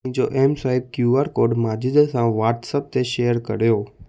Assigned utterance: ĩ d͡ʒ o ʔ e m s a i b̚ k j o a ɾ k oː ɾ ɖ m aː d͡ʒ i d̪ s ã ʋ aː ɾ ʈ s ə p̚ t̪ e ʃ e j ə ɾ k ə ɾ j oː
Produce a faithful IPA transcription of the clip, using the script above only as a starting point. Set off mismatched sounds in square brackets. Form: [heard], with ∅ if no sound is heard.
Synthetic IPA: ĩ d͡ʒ o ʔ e m s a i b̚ k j [u] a ɾ k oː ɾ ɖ m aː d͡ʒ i d̪ s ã ʋ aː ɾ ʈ s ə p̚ t̪ e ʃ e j ə ɾ k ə ɾ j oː

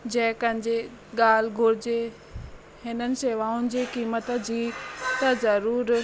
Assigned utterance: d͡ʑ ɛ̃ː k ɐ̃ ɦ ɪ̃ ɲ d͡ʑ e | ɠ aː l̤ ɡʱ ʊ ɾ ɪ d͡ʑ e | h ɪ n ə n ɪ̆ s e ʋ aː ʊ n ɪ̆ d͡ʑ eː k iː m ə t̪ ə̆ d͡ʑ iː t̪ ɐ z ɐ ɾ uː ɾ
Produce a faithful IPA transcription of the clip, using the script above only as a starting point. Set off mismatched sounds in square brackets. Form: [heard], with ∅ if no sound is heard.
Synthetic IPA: d͡ʑ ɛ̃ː k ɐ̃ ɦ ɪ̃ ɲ d͡ʑ e | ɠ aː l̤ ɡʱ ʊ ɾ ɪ d͡ʑ e | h ɪ n ə n ɪ̆ s e ʋ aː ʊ n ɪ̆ d͡ʑ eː k iː m ə t̪ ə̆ d͡ʑ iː t̪ ɐ z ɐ ɾ uː ɾ

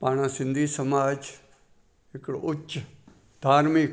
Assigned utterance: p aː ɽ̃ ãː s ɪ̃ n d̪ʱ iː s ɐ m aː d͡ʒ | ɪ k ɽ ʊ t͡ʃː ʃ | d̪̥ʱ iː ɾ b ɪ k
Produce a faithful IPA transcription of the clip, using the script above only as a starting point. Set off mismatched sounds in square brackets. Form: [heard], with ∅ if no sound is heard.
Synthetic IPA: p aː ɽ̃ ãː s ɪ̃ n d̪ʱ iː s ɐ m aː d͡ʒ | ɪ k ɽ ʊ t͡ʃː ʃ | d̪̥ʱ [aː] ɾ [m] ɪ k

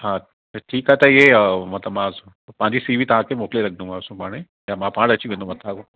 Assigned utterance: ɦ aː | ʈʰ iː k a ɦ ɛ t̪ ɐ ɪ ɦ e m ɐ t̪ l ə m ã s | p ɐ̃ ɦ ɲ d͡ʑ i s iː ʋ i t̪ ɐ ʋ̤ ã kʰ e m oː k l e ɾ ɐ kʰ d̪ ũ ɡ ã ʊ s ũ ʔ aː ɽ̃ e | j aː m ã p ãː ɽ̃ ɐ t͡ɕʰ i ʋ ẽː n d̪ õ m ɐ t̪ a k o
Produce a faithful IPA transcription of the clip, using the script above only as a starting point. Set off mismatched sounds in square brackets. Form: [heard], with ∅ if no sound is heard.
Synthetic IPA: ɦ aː | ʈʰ iː k a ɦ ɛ t̪ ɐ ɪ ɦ e m ɐ t̪ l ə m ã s | p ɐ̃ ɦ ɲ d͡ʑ i s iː ʋ i t̪ ɐ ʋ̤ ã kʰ e m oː k l e ɾ ɐ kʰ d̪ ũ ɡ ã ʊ s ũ [p] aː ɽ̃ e | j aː m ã p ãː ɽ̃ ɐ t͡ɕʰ i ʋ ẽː n d̪ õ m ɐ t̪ a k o

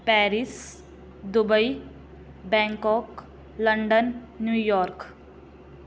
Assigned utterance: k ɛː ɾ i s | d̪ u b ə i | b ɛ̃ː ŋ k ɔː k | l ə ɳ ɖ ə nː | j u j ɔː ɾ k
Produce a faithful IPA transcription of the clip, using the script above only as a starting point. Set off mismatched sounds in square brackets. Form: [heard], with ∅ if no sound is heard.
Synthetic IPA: [p] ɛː ɾ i s | d̪ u b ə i | b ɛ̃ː ŋ k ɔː k | l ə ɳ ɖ ə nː | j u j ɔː ɾ k

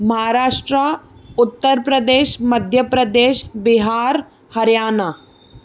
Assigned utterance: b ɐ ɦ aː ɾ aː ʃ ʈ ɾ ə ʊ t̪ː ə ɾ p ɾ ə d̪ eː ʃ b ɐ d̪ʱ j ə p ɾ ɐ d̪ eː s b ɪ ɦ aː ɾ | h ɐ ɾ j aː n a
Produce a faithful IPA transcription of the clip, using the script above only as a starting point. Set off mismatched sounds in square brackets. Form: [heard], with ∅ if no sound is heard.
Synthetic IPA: [m] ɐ ɦ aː ɾ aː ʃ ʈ ɾ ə ʊ t̪ː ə ɾ p ɾ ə d̪ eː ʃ [m] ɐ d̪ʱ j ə p ɾ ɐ d̪ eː [ʃ] b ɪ ɦ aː ɾ | h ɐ ɾ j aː n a

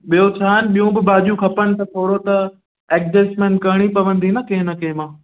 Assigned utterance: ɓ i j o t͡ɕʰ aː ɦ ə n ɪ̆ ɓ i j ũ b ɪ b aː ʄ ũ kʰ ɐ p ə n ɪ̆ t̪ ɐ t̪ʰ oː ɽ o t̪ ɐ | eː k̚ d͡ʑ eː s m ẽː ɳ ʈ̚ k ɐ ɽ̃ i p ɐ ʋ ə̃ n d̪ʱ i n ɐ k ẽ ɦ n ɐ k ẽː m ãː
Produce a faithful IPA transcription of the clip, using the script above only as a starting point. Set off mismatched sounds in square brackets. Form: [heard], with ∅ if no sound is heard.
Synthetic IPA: ɓ i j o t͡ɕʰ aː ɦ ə n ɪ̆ ɓ i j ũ b ɪ b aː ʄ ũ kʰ ɐ p ə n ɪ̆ t̪ ɐ t̪ʰ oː ɽ o t̪ ɐ | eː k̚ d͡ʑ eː s m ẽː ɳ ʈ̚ k ɐ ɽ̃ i p ɐ ʋ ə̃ n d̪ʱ i n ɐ k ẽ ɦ n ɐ k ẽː m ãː

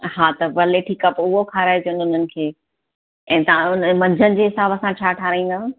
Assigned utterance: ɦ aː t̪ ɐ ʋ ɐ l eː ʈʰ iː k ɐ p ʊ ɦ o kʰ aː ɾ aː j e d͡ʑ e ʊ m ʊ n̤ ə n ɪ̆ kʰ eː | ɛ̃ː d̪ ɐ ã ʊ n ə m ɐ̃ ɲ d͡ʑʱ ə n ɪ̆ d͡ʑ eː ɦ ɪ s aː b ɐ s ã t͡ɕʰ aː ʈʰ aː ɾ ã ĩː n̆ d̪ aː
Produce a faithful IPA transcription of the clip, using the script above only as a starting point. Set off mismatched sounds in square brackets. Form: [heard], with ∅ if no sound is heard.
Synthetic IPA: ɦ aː t̪ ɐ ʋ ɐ l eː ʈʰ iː k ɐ p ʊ ɦ o kʰ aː ɾ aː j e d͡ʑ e ʊ [n] ʊ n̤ ə n ɪ̆ kʰ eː | ɛ̃ː [t̪] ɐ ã ʊ n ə m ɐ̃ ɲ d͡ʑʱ ə n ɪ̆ d͡ʑ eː ɦ ɪ s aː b ɐ s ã t͡ɕʰ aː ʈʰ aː ɾ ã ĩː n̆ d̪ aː

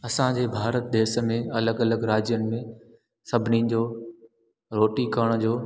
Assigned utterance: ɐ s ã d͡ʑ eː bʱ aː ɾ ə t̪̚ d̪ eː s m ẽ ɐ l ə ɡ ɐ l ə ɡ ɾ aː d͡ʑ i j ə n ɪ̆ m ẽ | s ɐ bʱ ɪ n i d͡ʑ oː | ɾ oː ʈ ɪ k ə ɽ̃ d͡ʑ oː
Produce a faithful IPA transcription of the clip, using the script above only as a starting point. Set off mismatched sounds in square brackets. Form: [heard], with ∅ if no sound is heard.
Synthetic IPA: ɐ s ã d͡ʑ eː bʱ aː ɾ ə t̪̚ d̪ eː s m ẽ ɐ l ə ɡ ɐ l ə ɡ ɾ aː d͡ʑ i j ə n ɪ̆ m ẽ | s ɐ bʱ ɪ n i d͡ʑ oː | ɾ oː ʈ [i] k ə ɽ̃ d͡ʑ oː

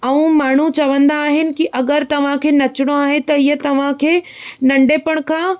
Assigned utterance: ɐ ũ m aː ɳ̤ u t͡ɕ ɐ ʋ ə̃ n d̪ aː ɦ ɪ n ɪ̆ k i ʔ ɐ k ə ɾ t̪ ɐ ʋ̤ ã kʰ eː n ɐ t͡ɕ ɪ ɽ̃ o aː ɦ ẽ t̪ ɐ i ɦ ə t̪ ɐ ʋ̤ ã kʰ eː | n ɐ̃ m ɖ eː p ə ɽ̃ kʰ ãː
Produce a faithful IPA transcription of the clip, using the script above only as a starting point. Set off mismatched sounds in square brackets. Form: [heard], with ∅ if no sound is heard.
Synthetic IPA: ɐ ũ m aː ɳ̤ u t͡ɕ ɐ ʋ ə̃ n d̪ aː ɦ ɪ n ɪ̆ k i ʔ ɐ [ɡ] ə ɾ t̪ ɐ ʋ̤ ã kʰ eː n ɐ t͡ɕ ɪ ɽ̃ o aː ɦ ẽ t̪ ɐ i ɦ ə t̪ ɐ ʋ̤ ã kʰ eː | n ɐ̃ [ɳ] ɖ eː p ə ɽ̃ kʰ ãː

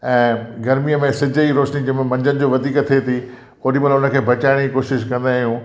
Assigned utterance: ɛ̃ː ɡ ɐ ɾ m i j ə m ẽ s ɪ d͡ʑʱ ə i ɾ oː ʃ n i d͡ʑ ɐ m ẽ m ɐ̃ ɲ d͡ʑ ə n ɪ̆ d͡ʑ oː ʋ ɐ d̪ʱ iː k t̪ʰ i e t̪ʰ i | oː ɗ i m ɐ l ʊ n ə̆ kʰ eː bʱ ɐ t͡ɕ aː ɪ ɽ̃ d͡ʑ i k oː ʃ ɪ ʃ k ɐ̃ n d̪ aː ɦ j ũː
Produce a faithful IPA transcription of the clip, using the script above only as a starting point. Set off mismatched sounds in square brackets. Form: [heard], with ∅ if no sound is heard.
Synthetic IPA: ɛ̃ː ɡ ɐ ɾ m i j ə m ẽ s ɪ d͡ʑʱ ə i ɾ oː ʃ n i d͡ʑ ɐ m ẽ m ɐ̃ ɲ d͡ʑ ə n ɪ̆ d͡ʑ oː ʋ ɐ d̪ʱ iː k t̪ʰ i e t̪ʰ i | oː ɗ i m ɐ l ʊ n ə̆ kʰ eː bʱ ɐ t͡ɕ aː ɪ ɽ̃ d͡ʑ i k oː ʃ ɪ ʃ k ɐ̃ n d̪ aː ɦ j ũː

